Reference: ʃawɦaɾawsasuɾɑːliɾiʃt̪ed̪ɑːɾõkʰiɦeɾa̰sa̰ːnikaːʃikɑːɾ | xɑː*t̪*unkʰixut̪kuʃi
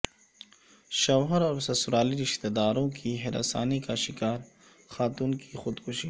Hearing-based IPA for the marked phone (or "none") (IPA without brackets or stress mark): t̪